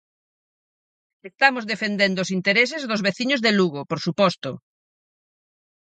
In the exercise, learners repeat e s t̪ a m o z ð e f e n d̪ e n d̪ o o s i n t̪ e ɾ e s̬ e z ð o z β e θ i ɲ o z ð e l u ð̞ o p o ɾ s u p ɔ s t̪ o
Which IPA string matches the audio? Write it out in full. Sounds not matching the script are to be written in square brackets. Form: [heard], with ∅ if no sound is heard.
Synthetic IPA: e s t̪ a m o z ð e f e n d̪ e n d̪ o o s i n t̪ e ɾ e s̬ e z ð o z β e θ i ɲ o z ð e l u [ɣ̞] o p o ɾ s u p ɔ s t̪ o